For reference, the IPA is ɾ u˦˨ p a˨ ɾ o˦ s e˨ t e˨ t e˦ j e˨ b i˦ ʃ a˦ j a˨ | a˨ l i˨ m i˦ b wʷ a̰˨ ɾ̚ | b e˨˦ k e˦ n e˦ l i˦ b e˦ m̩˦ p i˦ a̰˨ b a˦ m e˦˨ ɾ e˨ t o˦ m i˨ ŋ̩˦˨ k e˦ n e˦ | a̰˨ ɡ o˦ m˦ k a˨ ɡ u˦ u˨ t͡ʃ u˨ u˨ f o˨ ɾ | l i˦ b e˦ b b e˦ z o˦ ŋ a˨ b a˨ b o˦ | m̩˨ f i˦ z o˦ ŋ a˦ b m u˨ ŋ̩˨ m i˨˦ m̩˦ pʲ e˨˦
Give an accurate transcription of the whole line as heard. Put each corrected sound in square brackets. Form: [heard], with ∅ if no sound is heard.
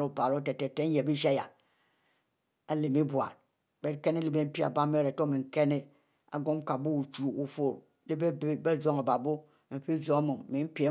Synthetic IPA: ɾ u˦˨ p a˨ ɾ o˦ [t] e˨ t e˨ t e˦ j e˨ b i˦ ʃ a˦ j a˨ | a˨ l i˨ m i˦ b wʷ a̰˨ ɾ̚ | b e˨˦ k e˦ n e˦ l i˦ b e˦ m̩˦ p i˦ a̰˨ b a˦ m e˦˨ ɾ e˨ t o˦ m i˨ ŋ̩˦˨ k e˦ n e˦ | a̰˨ ɡ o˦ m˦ k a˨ [b] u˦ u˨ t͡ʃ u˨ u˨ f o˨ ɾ | l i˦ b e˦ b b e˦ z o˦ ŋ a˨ b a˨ b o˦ | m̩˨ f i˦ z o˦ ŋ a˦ [∅] m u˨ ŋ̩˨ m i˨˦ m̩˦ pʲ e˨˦

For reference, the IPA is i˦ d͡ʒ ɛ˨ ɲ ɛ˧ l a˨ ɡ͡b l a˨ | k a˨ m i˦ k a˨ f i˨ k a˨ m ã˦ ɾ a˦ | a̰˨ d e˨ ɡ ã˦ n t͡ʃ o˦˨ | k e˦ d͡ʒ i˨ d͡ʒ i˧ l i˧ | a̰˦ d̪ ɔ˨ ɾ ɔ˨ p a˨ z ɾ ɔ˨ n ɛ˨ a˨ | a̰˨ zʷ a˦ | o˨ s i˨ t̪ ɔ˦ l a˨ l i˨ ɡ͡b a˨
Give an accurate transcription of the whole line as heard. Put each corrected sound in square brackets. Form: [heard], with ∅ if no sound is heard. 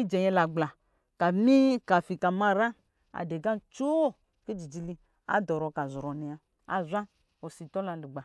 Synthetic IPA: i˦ d͡ʒ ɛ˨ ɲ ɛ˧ l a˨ ɡ͡b l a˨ | k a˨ m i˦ k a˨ f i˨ k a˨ m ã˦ ɾ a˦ | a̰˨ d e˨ ɡ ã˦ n t͡ʃ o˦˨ | k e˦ d͡ʒ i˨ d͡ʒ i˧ l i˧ | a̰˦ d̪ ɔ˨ ɾ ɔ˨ [k] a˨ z ɾ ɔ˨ n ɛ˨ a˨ | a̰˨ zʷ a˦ | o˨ s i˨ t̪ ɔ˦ l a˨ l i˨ ɡ͡b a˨

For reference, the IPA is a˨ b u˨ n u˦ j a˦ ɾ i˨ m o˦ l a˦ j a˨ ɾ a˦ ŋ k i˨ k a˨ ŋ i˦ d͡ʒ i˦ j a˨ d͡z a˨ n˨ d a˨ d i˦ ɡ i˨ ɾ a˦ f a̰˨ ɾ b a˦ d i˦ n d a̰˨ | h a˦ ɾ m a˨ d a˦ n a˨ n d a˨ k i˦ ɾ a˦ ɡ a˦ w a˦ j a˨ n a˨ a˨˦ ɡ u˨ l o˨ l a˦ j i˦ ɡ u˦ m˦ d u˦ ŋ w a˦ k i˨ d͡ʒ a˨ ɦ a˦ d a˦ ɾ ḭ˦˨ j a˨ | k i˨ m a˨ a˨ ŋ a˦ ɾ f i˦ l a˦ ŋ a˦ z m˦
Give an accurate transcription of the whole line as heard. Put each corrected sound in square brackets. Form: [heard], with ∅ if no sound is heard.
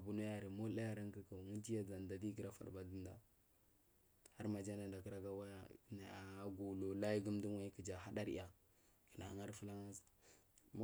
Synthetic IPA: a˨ b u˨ n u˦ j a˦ ɾ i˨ m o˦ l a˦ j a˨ ɾ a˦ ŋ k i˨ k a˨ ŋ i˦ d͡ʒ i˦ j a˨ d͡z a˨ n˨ d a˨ d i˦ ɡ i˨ ɾ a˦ f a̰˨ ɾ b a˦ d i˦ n d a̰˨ | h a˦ ɾ m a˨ [d͡ʒ] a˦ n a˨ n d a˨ k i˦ ɾ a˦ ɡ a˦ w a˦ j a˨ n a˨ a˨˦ ɡ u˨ l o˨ l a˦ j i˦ ɡ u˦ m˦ d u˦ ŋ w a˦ k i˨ d͡ʒ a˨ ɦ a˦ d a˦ ɾ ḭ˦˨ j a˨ | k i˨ [n] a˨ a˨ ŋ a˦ ɾ f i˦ l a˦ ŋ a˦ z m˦

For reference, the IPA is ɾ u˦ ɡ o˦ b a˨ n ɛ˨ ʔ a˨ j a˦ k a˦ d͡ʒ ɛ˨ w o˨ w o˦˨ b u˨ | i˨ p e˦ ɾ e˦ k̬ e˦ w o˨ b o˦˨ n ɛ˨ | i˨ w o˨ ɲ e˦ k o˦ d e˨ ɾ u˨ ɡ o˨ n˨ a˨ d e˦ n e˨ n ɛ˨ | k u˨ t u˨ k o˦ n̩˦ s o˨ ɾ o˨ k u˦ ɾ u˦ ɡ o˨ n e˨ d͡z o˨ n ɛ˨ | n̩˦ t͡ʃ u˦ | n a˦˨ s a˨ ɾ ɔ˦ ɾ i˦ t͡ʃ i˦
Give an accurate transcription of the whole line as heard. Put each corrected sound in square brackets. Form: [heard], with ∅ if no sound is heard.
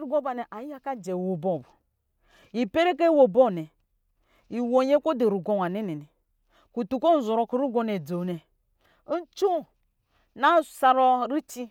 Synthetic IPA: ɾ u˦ ɡ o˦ b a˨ n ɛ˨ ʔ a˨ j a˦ k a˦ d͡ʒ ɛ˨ w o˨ [b] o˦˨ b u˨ | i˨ p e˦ ɾ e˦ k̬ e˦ w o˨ b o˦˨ n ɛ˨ | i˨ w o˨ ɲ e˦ k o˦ d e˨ ɾ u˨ ɡ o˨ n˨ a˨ [n] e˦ n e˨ n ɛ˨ | k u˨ t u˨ k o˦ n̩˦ [z] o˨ ɾ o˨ k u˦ ɾ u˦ ɡ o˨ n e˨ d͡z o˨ n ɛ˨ | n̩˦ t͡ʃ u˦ | n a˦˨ s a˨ ɾ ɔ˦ ɾ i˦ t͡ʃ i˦

